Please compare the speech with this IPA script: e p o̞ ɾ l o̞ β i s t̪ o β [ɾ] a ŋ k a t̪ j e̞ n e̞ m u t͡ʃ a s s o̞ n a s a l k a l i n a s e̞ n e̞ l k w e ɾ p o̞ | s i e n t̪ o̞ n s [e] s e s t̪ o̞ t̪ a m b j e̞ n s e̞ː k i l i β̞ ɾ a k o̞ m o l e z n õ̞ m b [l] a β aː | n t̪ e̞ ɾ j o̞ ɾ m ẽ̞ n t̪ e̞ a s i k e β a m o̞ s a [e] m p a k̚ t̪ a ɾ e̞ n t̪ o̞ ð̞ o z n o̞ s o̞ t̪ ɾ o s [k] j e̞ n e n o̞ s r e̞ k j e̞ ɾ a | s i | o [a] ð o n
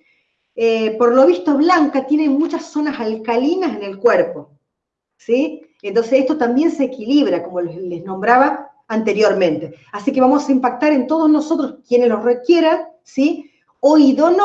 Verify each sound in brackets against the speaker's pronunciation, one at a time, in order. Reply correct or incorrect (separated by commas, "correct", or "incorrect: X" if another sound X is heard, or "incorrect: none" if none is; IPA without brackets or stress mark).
incorrect: l, correct, incorrect: ɾ, incorrect: i, correct, incorrect: i